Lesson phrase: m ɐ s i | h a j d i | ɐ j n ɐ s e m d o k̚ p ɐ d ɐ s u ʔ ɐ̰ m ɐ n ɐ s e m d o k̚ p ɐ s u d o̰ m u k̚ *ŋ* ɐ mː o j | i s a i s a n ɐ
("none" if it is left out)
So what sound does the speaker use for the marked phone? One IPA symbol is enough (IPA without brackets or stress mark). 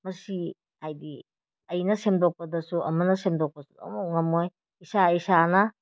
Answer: ŋ